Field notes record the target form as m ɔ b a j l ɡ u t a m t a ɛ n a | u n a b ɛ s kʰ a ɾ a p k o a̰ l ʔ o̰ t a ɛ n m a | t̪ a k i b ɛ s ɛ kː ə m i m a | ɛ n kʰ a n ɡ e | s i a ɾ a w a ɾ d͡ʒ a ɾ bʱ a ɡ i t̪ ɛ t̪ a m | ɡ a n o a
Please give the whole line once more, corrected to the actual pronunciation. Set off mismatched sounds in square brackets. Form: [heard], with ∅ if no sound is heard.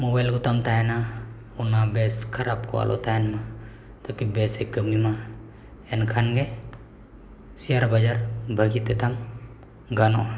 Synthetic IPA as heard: m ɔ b a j l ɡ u t a m t a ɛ n a | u n a b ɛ s kʰ a ɾ a p k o a̰ l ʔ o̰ t a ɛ n m a | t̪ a k i b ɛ s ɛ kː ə m i m a | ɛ n kʰ a n ɡ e | s i a ɾ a [b] a [∅] d͡ʒ a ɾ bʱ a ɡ i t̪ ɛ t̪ a m | ɡ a n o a